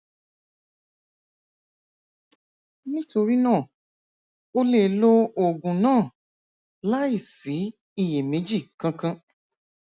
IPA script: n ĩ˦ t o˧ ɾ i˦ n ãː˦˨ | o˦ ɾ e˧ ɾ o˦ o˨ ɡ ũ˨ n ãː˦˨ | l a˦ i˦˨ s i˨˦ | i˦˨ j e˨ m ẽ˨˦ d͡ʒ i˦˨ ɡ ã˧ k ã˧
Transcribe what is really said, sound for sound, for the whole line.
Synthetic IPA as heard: n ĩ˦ t o˧ ɾ i˦ n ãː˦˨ | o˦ l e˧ l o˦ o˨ ɡ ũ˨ n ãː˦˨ | l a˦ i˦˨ s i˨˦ | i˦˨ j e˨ m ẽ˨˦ d͡ʒ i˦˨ k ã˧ k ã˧